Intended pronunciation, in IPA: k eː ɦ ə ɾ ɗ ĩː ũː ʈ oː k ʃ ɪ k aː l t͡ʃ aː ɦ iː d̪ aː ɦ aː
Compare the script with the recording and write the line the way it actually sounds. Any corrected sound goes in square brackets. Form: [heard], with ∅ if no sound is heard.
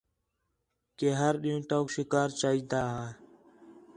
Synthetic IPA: k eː ɦ ə ɾ ɗ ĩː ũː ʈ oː k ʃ ɪ k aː [ɾ] t͡ʃ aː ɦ iː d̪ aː ɦ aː